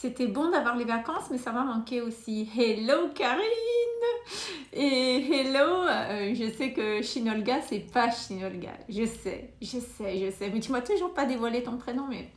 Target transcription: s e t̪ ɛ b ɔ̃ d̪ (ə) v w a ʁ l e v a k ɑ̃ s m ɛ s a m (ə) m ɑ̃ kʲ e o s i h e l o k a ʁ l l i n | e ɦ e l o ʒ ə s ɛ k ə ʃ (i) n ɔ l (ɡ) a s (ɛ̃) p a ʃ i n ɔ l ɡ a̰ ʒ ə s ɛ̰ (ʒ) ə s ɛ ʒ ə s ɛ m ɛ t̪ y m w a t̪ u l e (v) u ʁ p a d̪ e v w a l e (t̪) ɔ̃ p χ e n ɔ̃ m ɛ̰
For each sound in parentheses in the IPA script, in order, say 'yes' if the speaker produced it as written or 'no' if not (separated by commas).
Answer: no, no, yes, yes, no, yes, no, yes